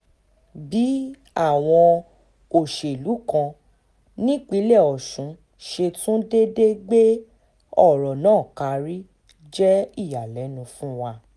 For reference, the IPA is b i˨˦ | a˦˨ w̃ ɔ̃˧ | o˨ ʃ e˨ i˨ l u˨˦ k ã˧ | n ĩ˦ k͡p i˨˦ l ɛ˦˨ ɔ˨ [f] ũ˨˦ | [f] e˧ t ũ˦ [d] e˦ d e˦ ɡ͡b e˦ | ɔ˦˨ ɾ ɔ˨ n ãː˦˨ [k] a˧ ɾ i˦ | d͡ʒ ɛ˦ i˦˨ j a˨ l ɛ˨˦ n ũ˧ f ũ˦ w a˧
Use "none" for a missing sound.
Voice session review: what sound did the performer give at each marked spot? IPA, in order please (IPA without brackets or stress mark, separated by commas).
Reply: ʃ, ʃ, d, k